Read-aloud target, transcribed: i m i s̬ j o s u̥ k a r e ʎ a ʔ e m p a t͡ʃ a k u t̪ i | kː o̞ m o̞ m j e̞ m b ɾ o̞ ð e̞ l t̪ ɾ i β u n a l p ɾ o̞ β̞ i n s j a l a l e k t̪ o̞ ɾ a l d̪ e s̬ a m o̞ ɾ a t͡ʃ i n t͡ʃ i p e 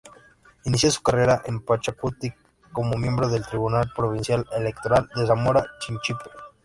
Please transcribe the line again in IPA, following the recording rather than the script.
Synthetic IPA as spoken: i n i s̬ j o s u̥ k a r e ɾ a ʔ e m p a t͡ʃ a k u t̪ i | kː o̞ m o̞ m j e̞ m b ɾ o̞ ð e̞ l t̪ ɾ i β u n a l p ɾ o̞ β̞ i n s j a l e l e k t̪ o̞ ɾ a l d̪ e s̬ a m o̞ ɾ a t͡ʃ i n t͡ʃ i p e